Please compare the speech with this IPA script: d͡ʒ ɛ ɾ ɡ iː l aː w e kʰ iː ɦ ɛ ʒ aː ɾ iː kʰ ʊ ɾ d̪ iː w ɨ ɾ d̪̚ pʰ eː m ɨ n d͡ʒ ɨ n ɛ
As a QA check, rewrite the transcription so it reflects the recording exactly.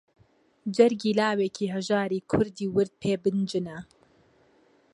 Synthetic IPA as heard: d͡ʒ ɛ ɾ ɡ iː l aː w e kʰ iː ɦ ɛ ʒ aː ɾ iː kʰ ʊ ɾ d̪ iː w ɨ ɾ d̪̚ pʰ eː b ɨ n d͡ʒ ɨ n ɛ